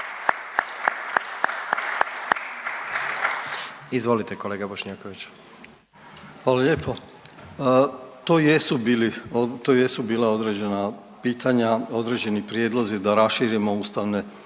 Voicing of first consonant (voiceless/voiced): voiced